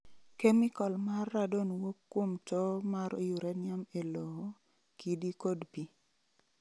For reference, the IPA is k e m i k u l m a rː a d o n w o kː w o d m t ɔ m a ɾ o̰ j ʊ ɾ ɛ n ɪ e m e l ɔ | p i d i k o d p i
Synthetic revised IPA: k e m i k ɔ l m a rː a d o n w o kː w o m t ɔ m a ɾ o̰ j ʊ ɾ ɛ n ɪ a m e l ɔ | k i d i k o d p i